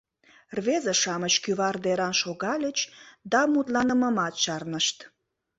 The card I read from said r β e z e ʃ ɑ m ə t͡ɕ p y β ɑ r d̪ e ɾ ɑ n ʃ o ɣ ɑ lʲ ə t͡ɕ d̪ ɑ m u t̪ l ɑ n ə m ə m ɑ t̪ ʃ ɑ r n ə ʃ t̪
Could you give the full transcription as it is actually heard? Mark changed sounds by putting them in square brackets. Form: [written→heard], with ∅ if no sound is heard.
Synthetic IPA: r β e z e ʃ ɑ m ə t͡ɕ [p→k] y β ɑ r d̪ e ɾ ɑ n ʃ o ɣ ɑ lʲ ə t͡ɕ d̪ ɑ m u t̪ l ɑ n ə m ə m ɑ t̪ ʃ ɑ r n ə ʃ t̪